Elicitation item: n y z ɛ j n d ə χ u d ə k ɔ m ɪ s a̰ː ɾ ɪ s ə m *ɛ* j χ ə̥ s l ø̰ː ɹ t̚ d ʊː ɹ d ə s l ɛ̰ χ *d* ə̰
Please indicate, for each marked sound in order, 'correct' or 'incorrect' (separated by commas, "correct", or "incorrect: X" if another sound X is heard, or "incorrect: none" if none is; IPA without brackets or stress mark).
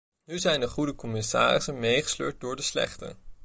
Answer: incorrect: e, incorrect: t